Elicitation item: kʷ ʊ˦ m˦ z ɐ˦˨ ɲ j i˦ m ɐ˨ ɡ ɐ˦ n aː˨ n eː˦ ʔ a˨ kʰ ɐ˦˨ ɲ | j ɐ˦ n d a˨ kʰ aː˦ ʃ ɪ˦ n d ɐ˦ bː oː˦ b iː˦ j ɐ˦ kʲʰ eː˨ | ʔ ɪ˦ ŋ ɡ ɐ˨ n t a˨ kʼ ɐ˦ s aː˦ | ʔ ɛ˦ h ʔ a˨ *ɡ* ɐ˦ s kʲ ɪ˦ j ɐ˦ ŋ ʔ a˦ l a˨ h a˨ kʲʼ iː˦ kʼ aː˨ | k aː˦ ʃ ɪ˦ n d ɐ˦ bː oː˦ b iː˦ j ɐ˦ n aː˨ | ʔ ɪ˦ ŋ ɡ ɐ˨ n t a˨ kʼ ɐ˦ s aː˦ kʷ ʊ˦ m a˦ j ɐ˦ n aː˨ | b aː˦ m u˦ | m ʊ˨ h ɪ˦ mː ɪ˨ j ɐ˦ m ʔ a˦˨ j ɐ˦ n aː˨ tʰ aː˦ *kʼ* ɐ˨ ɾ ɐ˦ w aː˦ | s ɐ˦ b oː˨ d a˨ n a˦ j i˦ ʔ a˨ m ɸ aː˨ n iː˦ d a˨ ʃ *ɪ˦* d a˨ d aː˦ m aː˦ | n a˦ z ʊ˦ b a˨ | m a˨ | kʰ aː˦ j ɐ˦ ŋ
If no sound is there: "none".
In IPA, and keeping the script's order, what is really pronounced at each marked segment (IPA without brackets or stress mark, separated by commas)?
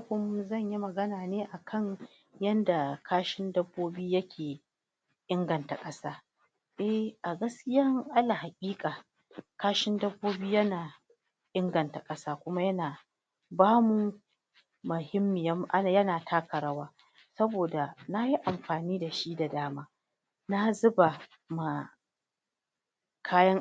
ɡ, k, i˦